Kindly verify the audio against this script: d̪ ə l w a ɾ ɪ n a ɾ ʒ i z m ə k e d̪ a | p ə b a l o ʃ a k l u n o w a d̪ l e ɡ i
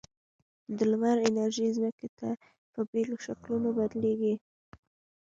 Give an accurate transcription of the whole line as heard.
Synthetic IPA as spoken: d̪ ə l w a ɾ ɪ n a ɾ ʒ i z m ə k e t̪ a | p ə b e l o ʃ a k l u n o b a d̪ l e ɡ i